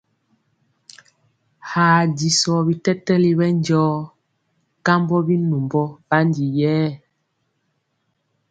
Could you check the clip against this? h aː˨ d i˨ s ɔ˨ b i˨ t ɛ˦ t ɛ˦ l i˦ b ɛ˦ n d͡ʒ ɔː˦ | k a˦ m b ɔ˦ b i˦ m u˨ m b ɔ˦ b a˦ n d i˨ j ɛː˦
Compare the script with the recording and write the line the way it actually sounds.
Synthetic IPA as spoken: h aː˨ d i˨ s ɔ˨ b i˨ t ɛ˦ t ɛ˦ l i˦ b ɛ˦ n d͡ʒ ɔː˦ | k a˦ m b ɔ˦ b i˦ n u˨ m b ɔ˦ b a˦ n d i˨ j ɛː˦